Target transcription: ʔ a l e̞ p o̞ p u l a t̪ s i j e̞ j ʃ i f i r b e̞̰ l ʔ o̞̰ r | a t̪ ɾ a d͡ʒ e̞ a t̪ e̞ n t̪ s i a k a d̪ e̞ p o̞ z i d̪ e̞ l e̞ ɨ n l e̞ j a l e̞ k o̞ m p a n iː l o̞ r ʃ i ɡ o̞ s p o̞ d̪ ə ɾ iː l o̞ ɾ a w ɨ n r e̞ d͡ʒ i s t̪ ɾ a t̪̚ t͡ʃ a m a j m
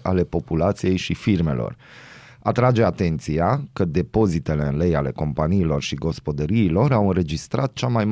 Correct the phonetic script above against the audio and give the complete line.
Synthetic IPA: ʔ a l e̞ p o̞ p u l a t̪ s i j e̞ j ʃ i f i r m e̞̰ l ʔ o̞̰ r | a t̪ ɾ a d͡ʒ e̞ a t̪ e̞ n t̪ s i a k ə d̪ e̞ p o̞ z i t̪ e̞ l e̞ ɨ n l e̞ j a l e̞ k o̞ m p a n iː l o̞ r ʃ i ɡ o̞ s p o̞ d̪ ə ɾ iː l o̞ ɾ a w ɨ n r e̞ d͡ʒ i s t̪ ɾ a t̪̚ t͡ʃ a m a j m